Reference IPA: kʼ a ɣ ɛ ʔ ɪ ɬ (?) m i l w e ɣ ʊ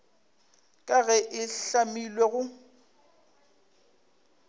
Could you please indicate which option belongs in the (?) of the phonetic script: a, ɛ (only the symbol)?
a